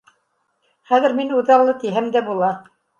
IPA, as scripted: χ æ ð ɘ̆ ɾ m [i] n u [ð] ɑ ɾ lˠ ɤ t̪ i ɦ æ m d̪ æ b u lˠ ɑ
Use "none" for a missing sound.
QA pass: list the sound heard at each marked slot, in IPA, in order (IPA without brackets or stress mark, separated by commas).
i, ð